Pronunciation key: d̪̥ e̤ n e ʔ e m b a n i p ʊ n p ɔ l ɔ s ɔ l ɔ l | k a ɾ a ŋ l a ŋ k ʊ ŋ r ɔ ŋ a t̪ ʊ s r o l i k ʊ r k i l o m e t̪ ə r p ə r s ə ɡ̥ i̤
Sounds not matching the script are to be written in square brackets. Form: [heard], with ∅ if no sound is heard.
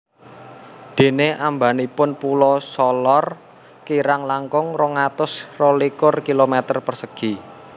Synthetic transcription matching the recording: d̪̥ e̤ n e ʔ [a] m b a n i p ʊ n p [u] l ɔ s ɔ l ɔ [r] | k [i] ɾ a ŋ l a ŋ k ʊ ŋ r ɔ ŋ a t̪ ʊ s r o l i k ʊ r k i l o m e t̪ ə r p ə r s ə ɡ̥ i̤